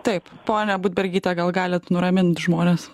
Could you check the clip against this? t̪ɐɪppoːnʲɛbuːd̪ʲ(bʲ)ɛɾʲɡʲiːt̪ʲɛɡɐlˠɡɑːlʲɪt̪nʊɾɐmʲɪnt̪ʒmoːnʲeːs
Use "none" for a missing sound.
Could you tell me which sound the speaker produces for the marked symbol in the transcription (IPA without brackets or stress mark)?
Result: bʲ